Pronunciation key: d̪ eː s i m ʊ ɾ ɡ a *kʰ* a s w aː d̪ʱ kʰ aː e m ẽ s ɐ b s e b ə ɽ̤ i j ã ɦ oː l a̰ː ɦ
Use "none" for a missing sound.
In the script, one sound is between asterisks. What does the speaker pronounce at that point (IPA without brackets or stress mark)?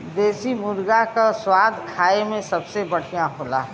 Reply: k